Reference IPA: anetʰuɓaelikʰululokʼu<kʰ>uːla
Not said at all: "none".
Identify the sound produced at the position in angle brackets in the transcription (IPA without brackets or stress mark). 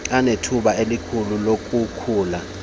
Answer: kʰ